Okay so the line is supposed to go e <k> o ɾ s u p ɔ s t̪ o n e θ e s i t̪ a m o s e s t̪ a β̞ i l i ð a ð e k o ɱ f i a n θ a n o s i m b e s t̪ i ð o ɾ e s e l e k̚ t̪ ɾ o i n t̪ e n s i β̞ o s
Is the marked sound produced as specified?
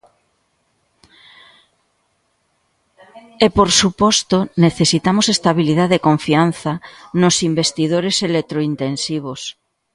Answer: no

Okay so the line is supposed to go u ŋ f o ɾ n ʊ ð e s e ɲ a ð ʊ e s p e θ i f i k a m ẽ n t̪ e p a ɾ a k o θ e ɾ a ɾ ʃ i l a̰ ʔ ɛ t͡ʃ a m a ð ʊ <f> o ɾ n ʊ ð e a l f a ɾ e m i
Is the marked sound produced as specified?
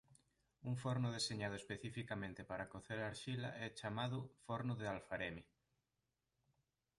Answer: yes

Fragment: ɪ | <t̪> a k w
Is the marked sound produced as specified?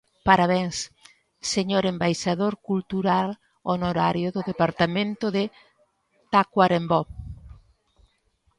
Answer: yes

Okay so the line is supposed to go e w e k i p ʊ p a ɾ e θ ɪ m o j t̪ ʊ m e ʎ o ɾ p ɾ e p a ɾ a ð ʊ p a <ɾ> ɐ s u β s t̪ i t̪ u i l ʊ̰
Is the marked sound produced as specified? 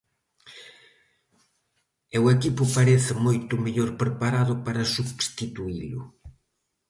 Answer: yes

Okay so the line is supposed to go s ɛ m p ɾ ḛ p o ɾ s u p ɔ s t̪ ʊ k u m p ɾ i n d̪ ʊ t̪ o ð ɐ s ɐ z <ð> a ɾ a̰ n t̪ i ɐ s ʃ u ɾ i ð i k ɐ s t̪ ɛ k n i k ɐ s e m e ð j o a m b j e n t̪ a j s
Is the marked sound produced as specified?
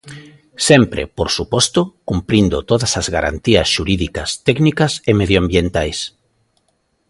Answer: no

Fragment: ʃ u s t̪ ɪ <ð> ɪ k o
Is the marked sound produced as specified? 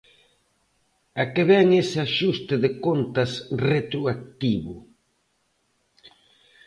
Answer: yes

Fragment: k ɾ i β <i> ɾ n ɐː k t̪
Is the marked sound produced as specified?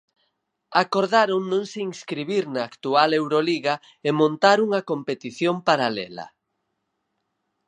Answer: yes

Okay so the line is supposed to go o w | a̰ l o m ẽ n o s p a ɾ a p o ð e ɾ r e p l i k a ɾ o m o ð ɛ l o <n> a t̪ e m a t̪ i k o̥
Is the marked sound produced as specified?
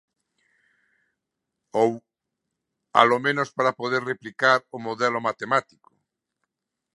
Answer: no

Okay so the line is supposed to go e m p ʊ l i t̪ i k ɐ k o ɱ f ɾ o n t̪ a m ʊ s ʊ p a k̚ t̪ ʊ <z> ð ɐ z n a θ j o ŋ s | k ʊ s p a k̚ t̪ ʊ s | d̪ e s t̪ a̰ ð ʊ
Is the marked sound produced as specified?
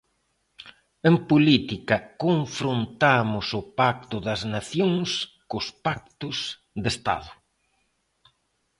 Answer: no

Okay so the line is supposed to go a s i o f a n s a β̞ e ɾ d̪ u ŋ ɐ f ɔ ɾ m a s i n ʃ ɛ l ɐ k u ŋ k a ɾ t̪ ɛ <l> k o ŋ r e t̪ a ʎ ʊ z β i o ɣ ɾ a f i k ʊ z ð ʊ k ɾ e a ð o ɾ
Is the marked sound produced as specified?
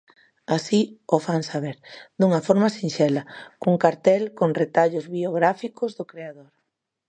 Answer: yes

